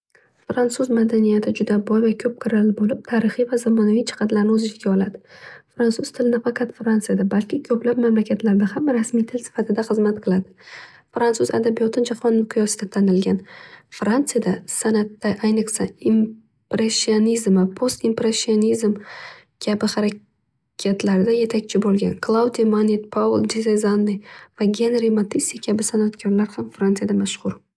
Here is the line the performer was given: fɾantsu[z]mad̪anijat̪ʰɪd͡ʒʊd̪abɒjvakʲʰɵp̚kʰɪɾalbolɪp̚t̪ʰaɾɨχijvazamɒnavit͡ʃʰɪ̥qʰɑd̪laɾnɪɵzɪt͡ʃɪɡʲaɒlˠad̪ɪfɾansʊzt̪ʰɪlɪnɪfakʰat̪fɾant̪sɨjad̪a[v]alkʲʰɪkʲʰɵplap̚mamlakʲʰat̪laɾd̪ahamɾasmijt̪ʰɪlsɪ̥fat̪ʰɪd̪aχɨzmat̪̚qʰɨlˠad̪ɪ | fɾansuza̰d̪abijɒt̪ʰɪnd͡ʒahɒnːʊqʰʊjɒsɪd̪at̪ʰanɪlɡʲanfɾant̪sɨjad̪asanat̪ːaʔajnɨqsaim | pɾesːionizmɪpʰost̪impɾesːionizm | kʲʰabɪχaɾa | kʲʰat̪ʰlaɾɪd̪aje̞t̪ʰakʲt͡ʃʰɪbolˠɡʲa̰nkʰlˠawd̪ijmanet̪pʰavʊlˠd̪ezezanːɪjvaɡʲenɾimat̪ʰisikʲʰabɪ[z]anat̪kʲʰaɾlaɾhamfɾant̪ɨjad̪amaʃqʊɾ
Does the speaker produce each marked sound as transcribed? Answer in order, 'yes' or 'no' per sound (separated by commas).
yes, no, no